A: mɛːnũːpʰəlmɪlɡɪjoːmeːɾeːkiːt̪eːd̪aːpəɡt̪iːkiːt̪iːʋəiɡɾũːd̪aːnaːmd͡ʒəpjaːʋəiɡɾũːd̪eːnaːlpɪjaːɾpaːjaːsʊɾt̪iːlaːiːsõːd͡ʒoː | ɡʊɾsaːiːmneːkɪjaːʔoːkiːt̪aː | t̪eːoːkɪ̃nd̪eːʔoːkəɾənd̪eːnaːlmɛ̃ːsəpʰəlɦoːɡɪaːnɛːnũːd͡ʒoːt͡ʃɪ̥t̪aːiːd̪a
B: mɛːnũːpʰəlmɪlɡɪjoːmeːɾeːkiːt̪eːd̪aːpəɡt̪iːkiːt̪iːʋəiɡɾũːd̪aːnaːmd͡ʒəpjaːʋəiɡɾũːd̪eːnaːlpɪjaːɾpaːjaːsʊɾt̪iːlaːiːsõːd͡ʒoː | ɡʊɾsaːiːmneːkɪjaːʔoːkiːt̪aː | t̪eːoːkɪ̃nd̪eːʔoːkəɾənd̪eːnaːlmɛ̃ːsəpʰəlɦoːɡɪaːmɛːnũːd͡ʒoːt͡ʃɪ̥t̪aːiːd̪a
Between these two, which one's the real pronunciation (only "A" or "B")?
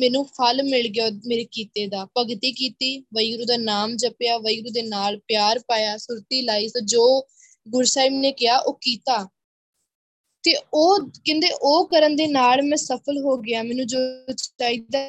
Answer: B